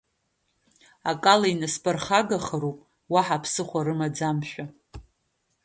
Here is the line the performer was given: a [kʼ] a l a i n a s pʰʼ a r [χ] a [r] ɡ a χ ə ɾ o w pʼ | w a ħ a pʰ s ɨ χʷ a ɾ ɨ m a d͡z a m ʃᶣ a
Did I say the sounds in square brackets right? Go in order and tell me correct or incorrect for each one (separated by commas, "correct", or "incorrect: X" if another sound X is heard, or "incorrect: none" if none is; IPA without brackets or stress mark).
correct, correct, incorrect: none